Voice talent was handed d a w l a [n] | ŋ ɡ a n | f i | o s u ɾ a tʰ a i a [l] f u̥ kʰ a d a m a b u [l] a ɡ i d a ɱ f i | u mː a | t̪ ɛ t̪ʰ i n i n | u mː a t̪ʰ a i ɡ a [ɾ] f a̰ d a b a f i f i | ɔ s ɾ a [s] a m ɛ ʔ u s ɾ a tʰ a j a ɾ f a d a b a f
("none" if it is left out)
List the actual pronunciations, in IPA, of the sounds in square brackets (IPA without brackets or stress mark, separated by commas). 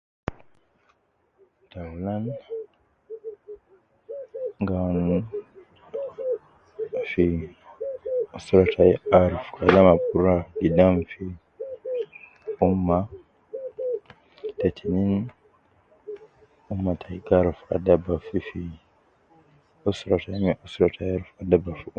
n, ɾ, ɾ, ɾ, t